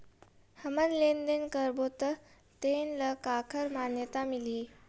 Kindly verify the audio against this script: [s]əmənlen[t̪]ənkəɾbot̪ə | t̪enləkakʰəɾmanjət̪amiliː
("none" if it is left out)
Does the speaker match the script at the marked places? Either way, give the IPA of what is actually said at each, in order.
h, d̪

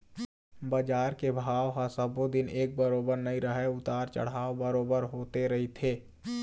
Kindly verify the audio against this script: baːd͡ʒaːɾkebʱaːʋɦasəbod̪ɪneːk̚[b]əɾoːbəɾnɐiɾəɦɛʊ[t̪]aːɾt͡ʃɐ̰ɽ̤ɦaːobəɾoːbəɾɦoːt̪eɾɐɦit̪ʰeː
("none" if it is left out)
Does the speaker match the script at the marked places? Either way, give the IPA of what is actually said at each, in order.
b, t̪

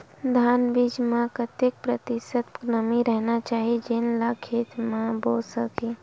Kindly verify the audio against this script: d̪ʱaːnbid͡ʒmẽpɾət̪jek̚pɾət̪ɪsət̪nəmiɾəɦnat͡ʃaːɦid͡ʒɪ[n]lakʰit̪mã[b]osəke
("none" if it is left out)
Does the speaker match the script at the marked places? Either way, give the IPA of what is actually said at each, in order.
n, b

